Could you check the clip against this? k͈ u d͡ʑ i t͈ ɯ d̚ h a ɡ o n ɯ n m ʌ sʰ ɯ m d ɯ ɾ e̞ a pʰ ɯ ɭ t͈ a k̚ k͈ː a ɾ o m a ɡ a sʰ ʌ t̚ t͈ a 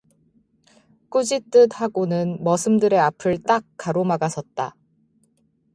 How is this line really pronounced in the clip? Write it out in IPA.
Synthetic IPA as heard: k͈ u d͡ʑ i t͈ ɯ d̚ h a ɡ o n ɯ n m ʌ sʰ ɯ m d ɯ ɾ e̞ a pʰ ɯ ɭ t͈ a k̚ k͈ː a ɾ o m a ɡ a sʰ ʌ t̚ t͈ a

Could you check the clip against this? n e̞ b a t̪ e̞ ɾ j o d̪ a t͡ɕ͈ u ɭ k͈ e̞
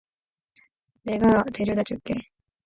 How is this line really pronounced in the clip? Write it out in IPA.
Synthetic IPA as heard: n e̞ ɡ a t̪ e̞ ɾ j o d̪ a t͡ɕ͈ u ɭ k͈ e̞

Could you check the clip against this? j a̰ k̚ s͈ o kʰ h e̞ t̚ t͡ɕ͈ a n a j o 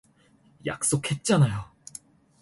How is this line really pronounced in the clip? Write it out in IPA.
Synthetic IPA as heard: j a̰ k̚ s͈ o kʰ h e̞ t̚ t͡ɕ͈ a n a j o

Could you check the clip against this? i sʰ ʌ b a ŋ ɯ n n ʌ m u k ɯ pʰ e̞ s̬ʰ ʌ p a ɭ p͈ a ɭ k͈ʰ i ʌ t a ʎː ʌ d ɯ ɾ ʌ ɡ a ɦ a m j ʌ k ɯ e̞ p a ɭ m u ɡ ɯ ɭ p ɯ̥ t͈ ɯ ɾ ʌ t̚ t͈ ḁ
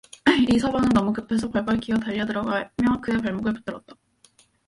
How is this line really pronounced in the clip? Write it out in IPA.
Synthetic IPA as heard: i sʰ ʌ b a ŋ ɯ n n ʌ m u k ɯ pʰ e̞ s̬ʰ ʌ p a ɭ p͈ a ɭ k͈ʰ i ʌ t a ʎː ʌ d ɯ ɾ ʌ ɡ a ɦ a m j ʌ k ɯ e̞ p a ɭ m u ɡ ɯ ɭ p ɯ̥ t͈ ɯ ɾ ʌ t̚ t͈ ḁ

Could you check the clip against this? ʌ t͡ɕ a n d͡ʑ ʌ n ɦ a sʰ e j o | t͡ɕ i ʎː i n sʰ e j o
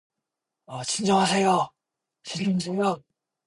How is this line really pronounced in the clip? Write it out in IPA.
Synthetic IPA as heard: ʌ t͡ɕ i n d͡ʑ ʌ ŋ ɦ a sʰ e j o | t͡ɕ i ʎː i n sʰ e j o

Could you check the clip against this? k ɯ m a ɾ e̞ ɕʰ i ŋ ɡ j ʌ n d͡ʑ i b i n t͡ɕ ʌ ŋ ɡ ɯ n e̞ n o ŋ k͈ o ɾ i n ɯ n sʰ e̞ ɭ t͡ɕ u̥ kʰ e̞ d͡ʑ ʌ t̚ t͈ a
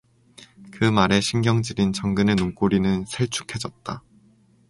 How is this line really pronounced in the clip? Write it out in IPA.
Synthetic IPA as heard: k ɯ m a ɾ e̞ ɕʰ i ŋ ɡ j ʌ ŋ d͡ʑ i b i n t͡ɕ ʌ ŋ ɡ ɯ n e̞ n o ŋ k͈ o ɾ i n ɯ n sʰ e̞ ɭ t͡ɕʰ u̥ kʰ e̞ d͡ʑ ʌ t̚ t͈ a

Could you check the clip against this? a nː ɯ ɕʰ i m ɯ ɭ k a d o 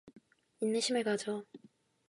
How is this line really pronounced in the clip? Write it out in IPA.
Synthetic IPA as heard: i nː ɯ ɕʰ i m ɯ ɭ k a d͡ʑ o

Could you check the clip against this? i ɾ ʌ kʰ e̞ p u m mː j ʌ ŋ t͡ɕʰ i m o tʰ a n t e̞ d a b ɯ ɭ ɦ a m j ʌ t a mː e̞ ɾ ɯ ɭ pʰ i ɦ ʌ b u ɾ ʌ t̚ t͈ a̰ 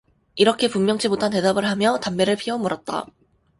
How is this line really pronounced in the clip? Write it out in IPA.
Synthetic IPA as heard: i ɾ ʌ kʰ e̞ p u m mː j ʌ ŋ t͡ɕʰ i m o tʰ a n t e̞ d a b ɯ ɭ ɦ a m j ʌ t a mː e̞ ɾ ɯ ɭ pʰ i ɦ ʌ m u ɾ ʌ t̚ t͈ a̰

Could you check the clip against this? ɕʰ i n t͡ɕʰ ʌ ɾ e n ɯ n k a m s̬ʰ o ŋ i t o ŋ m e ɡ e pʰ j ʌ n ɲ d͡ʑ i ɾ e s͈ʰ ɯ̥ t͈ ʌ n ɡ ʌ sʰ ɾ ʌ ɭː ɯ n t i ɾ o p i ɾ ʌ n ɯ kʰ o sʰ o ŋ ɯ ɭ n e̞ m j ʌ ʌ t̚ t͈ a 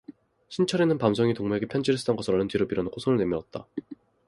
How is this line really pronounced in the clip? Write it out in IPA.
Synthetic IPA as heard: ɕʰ i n t͡ɕʰ ʌ ɾ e n ɯ n p a m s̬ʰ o ŋ i t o ŋ m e ɡ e pʰ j ʌ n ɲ d͡ʑ i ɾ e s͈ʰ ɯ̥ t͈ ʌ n ɡ ʌ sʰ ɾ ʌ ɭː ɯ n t i ɾ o p i ɾ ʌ n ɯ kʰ o sʰ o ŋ ɯ ɭ n e̞ m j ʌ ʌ t̚ t͈ a

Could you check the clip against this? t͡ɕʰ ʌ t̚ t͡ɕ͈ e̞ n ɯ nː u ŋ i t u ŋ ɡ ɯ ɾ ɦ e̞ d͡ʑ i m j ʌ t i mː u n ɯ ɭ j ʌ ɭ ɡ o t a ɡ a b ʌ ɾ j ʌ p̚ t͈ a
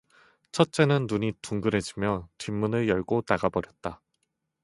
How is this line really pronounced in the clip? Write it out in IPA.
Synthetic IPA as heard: t͡ɕʰ ʌ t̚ t͡ɕ͈ e̞ n ɯ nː u ɲ i t u ŋ ɡ ɯ ɾ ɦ e̞ d͡ʑ i m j ʌ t i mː u n ɯ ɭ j ʌ ɭ ɡ o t a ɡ a b ʌ ɾ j ʌ t̚ t͈ a

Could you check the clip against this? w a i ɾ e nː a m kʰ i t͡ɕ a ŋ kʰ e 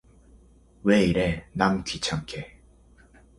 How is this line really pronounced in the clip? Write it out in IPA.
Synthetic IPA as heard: w e i ɾ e n a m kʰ i t͡ɕʰ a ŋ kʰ e

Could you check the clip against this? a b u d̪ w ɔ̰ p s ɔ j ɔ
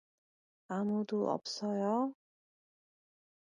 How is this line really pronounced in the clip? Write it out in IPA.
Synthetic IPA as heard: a m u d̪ u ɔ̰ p s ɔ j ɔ

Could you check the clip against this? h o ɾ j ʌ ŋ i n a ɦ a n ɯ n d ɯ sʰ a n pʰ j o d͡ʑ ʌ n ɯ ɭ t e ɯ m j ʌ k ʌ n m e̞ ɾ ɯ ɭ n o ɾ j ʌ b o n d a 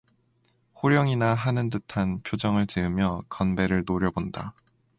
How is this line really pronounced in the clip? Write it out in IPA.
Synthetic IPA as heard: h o ɾ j ʌ ŋ i n a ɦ a n ɯ n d ɯ tʰ a n pʰ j o d͡ʑ ʌ ŋ ɯ ɭ t͡ɕ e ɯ m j ʌ k ʌ n b e̞ ɾ ɯ ɭ n o ɾ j ʌ b o n d a

